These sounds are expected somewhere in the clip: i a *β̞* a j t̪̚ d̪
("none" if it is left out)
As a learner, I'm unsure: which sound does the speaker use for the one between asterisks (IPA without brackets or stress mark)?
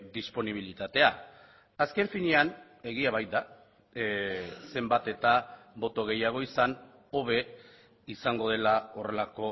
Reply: β̞